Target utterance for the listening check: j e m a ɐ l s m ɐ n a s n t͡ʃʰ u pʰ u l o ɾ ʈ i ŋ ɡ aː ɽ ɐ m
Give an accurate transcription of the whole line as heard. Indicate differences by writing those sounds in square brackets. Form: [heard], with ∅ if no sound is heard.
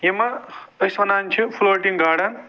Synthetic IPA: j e m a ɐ [∅] s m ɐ n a [∅] n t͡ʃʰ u pʰ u l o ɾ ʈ i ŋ ɡ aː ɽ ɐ [n]